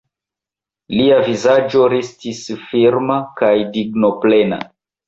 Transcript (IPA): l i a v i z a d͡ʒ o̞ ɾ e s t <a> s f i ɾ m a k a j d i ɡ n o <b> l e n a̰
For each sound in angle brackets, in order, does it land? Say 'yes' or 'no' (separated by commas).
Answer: no, no